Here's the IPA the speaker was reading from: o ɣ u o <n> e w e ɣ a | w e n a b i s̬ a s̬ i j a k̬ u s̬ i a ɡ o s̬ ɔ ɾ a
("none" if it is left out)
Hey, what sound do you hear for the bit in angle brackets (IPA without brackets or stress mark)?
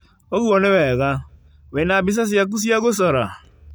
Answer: n